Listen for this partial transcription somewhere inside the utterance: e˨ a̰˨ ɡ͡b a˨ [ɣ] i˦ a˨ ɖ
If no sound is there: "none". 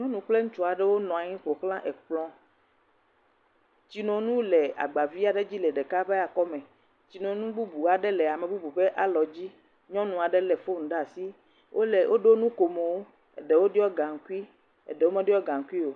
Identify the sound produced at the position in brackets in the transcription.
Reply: v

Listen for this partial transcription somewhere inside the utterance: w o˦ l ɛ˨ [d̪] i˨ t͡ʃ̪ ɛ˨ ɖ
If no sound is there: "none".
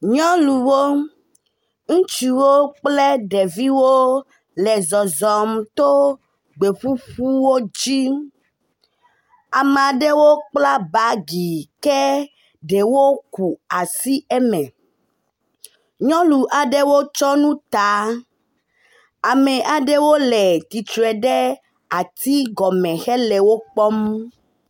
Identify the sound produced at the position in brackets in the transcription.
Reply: t̪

